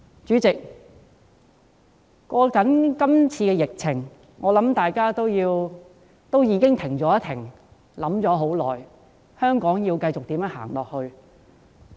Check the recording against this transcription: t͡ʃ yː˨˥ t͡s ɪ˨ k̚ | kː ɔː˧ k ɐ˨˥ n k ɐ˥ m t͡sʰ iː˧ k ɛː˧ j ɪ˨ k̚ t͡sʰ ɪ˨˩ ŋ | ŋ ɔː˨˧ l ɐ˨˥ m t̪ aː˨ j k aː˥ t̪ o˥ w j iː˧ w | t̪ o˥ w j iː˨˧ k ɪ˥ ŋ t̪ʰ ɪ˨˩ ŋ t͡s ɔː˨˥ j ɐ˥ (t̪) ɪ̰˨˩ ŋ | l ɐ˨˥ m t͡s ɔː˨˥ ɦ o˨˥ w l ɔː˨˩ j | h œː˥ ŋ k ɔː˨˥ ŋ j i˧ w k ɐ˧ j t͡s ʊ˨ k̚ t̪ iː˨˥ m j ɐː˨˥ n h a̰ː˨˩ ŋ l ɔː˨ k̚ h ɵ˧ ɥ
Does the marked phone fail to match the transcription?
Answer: yes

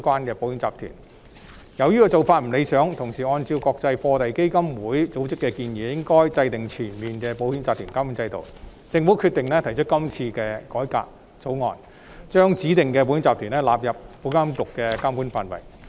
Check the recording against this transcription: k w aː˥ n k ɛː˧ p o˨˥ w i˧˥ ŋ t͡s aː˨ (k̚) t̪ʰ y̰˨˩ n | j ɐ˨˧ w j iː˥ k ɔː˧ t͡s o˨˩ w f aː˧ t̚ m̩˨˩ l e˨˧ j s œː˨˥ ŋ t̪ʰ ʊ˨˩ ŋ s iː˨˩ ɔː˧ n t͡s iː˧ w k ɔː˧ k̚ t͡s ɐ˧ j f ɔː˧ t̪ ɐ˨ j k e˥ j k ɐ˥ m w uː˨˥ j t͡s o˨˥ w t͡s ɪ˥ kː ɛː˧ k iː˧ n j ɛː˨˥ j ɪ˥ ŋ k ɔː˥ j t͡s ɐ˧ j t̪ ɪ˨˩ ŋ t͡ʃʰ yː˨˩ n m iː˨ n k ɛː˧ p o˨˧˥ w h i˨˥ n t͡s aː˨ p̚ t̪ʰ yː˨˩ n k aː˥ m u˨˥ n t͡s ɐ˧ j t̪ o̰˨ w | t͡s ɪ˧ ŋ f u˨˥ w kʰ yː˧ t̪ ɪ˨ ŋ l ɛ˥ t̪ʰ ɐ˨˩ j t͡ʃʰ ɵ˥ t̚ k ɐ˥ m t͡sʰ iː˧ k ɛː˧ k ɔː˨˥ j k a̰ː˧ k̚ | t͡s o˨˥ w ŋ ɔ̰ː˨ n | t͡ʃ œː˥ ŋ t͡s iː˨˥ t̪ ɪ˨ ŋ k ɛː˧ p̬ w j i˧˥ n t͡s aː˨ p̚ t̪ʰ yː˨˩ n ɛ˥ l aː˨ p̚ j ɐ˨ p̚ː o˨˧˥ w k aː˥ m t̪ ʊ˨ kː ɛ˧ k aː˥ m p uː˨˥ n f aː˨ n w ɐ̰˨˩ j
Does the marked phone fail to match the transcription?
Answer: yes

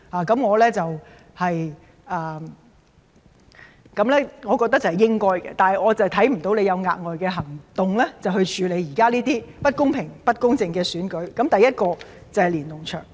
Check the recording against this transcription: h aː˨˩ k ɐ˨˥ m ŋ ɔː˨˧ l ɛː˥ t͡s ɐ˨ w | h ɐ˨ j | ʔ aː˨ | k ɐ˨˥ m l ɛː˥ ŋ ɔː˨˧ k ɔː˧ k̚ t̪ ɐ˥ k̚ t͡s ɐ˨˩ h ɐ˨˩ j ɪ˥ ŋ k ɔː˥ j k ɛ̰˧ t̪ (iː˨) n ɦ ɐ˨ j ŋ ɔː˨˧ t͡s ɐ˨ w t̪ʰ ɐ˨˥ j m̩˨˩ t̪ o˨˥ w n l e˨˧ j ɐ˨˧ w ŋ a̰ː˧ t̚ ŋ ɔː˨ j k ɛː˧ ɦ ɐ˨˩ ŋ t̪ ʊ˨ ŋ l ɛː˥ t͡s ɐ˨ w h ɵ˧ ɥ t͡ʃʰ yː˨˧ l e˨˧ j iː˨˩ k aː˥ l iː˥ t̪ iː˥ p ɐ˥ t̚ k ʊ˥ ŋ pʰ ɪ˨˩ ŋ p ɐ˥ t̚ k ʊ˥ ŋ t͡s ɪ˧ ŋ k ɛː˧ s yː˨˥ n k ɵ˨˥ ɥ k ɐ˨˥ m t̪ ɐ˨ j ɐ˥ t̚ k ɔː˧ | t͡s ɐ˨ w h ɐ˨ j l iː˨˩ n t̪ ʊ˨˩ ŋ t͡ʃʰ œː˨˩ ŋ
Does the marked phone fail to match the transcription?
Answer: yes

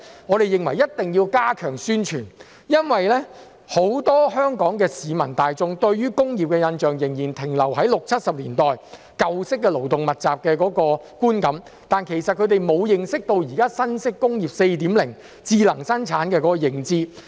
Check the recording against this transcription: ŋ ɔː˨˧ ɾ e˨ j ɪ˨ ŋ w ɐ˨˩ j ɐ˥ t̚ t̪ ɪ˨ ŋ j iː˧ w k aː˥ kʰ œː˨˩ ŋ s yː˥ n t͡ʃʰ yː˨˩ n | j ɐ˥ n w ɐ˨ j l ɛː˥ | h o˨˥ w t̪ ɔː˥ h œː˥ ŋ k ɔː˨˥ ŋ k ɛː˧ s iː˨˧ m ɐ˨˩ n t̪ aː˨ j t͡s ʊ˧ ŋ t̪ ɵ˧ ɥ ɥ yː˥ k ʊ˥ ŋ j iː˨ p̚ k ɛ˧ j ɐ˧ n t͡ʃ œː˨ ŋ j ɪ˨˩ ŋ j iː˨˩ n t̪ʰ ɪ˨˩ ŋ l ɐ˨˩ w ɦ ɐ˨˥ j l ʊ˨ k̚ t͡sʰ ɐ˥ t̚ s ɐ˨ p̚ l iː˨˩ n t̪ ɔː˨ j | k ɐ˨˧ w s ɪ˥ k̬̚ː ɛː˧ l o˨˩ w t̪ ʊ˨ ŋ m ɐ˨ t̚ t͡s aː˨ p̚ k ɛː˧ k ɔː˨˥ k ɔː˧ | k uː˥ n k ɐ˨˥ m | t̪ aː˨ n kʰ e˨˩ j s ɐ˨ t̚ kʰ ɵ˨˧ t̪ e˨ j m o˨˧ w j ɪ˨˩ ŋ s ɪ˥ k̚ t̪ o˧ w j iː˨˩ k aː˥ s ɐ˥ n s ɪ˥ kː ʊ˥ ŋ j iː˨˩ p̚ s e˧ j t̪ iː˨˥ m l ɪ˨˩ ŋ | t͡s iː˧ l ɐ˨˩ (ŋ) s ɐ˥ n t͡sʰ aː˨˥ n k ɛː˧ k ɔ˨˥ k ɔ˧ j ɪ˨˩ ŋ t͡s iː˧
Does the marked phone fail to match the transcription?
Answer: no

